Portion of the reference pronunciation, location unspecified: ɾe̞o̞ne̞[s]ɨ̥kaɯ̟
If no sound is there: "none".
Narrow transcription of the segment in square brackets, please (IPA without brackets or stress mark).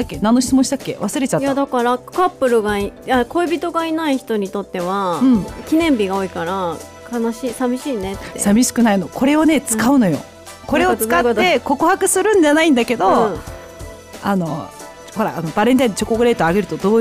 t͡s